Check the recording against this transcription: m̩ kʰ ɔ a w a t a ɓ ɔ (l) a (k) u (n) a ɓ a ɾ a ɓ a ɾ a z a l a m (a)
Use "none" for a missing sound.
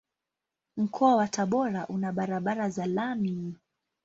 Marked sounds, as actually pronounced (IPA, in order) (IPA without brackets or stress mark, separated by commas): ɾ, ʔ, n, i